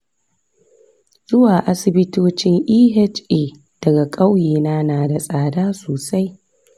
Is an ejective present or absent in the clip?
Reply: present